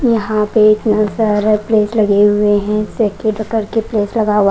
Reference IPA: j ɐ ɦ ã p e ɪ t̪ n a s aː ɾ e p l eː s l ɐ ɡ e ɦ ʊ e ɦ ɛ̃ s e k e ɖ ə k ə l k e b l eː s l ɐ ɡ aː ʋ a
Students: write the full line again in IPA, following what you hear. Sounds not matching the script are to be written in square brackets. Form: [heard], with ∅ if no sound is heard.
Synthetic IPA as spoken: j ɐ ɦ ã p e ɪ t̪ n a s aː ɾ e p l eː s l ɐ ɡ e ɦ ʊ e ɦ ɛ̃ s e k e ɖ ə k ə [ɾ] k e [p] l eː s l ɐ ɡ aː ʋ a